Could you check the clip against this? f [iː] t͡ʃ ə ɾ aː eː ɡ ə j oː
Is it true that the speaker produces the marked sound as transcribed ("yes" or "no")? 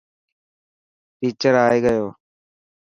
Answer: yes